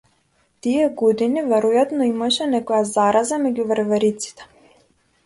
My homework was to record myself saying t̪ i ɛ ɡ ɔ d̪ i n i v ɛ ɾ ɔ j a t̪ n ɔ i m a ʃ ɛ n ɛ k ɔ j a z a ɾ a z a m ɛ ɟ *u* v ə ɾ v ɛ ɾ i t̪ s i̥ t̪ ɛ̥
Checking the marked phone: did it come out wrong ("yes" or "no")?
no